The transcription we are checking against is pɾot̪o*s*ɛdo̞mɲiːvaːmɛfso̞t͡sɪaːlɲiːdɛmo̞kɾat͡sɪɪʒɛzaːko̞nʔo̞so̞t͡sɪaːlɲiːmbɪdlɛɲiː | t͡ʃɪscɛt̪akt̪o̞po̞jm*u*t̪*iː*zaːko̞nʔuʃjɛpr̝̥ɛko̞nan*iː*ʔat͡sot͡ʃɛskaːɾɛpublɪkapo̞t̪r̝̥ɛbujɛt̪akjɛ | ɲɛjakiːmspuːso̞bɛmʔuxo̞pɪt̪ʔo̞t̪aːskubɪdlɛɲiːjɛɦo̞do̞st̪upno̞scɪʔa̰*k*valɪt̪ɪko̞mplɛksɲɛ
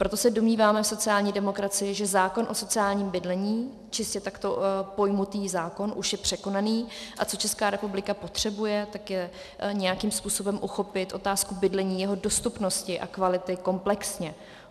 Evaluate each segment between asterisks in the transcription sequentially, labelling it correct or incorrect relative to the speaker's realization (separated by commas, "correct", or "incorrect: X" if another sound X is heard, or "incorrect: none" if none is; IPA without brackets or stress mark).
correct, correct, correct, correct, correct